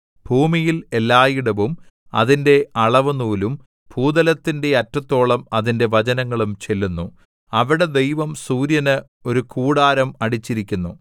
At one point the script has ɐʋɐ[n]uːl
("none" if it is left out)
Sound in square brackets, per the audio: n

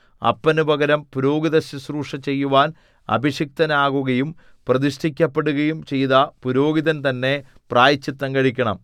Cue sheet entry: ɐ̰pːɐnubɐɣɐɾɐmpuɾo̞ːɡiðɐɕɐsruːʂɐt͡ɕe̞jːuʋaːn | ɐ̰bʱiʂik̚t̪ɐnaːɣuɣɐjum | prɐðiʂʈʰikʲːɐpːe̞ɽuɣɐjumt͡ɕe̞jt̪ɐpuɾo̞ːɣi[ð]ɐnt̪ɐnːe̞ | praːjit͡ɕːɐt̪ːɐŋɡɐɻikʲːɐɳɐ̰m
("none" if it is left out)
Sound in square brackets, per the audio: ð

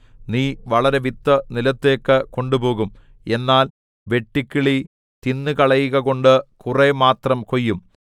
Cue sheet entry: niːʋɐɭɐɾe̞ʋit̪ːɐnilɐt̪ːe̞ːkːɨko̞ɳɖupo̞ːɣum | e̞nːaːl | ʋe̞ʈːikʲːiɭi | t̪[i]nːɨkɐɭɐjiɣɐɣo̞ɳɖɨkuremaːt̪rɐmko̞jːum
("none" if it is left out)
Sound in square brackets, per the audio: i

